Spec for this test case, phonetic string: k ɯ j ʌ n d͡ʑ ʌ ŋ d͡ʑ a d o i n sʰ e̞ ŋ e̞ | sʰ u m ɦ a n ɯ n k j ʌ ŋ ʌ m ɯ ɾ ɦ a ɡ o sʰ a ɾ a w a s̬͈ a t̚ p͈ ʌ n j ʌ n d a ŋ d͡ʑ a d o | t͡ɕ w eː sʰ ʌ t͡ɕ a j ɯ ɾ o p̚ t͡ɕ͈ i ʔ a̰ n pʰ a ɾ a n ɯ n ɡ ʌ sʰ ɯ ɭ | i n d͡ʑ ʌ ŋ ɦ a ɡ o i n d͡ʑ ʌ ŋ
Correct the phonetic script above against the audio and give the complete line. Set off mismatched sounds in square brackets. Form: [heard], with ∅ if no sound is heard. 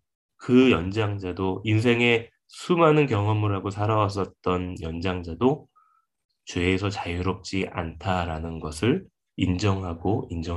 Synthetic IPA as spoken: k ɯ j ʌ n d͡ʑ [a] ŋ d͡ʑ a d o i n sʰ e̞ ŋ e̞ | sʰ u m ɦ a n ɯ n k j ʌ ŋ ʌ m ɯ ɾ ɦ a ɡ o sʰ a ɾ a w a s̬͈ [ʌ] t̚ [t͈] ʌ n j ʌ n [d͡ʑ] a ŋ d͡ʑ a d o | t͡ɕ w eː sʰ ʌ t͡ɕ a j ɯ ɾ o p̚ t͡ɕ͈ i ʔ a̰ n [tʰ] a ɾ a n ɯ n ɡ ʌ sʰ ɯ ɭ | i n d͡ʑ ʌ ŋ ɦ a ɡ o i n d͡ʑ ʌ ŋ